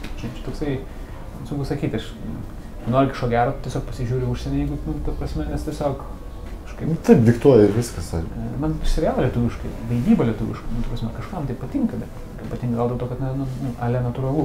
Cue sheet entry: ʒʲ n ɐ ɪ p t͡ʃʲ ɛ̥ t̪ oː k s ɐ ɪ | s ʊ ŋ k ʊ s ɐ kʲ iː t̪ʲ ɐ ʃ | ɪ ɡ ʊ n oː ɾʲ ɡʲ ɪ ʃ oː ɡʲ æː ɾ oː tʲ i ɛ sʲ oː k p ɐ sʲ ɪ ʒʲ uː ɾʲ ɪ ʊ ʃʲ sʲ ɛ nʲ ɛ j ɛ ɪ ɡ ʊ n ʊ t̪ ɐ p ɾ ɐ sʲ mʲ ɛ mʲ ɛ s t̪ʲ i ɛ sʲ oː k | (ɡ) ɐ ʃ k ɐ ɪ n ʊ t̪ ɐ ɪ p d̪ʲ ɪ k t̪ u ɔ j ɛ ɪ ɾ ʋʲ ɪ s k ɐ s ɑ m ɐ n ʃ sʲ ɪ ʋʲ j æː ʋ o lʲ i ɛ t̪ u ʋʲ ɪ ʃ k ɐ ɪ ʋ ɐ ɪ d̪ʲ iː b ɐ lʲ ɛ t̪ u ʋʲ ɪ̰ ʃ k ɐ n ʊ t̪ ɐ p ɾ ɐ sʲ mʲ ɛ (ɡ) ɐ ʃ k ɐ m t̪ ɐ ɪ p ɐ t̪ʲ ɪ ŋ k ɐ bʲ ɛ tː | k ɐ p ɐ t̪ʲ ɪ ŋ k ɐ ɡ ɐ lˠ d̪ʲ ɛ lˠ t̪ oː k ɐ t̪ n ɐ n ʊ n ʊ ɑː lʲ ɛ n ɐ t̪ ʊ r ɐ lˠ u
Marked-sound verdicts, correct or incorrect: incorrect: k, incorrect: k

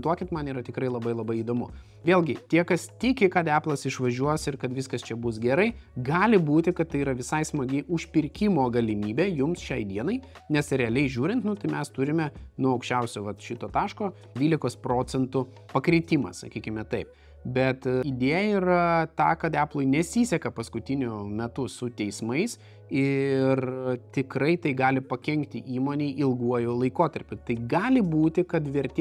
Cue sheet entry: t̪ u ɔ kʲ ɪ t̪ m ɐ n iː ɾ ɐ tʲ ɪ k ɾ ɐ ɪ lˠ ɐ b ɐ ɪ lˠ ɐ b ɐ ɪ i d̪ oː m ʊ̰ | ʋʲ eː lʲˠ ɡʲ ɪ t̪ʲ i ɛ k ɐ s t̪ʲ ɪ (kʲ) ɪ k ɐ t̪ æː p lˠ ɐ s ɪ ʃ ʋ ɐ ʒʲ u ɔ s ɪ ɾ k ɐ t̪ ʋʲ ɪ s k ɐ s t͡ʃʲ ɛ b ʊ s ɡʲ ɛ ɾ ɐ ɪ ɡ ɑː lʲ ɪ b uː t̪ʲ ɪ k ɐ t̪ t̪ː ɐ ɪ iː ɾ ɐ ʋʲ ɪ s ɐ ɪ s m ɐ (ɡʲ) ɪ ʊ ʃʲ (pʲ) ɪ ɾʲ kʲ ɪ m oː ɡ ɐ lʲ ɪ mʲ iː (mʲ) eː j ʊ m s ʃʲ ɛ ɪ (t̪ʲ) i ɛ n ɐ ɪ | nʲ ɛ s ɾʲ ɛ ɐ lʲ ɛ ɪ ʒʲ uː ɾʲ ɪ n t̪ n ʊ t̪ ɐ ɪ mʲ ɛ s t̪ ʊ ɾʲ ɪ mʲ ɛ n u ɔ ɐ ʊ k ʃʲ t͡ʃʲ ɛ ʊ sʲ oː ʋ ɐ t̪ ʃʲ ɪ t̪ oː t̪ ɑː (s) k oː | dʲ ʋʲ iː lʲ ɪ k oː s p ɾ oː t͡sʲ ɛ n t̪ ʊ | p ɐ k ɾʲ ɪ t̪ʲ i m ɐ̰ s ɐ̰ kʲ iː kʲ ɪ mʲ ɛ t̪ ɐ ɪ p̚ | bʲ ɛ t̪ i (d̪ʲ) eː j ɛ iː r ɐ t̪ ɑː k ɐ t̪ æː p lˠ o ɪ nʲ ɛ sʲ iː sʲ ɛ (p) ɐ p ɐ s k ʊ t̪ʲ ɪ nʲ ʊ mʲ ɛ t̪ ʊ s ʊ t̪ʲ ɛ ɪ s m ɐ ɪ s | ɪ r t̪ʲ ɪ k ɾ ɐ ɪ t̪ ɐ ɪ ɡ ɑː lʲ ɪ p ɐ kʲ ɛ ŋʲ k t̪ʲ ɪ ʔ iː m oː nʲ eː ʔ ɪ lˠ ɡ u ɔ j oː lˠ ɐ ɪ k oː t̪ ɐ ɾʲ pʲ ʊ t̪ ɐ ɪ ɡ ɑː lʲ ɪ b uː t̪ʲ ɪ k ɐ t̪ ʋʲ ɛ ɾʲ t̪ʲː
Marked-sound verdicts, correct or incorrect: correct, correct, correct, incorrect: bʲ, incorrect: d̪ʲ, incorrect: ʃ, correct, incorrect: k

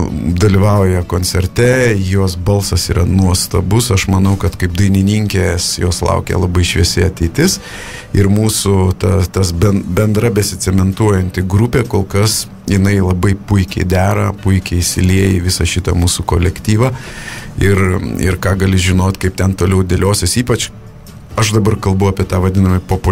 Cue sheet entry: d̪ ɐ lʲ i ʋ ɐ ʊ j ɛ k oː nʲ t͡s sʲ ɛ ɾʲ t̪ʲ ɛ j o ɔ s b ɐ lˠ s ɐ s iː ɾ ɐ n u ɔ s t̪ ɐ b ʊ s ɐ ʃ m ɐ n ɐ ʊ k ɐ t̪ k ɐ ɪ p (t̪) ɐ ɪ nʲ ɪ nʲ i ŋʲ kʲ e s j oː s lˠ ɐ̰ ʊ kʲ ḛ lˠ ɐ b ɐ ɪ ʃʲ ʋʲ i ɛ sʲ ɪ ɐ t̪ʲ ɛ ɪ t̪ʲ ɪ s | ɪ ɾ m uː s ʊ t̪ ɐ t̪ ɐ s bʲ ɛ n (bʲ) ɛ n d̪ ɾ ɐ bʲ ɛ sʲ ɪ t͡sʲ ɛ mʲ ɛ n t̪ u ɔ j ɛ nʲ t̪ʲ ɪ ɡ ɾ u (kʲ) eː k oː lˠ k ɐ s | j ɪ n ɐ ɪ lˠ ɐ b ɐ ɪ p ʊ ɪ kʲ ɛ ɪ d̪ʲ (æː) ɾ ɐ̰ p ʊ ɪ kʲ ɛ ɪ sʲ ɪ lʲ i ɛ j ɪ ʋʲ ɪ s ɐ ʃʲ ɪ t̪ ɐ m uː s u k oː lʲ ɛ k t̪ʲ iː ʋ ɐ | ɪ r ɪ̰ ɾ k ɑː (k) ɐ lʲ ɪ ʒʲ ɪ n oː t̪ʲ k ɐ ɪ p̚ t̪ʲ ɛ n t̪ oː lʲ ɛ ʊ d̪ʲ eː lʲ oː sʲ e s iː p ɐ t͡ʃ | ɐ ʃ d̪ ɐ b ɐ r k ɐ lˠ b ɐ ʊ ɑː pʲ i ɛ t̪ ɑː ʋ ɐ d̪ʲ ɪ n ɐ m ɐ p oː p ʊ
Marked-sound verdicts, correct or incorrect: incorrect: d̪, correct, incorrect: pʲ, correct, incorrect: ɡ

